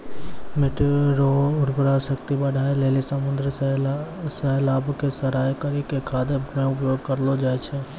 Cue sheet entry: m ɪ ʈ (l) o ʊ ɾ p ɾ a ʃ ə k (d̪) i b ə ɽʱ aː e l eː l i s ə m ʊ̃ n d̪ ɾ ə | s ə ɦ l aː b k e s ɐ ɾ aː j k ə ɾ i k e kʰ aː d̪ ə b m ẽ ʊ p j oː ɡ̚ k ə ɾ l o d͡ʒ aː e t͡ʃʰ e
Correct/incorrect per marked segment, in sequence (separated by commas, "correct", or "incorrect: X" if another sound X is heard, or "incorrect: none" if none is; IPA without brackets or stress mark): incorrect: ɾ, incorrect: t̪